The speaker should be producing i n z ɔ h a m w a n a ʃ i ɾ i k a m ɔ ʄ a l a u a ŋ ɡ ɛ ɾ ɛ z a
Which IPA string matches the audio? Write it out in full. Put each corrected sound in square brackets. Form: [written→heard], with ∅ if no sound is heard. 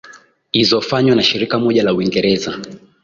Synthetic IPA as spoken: i [n→∅] z ɔ [h→f] a [m→ɲ] w a n a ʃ i ɾ i k a m ɔ ʄ a l a u [a→i] ŋ ɡ ɛ ɾ ɛ z a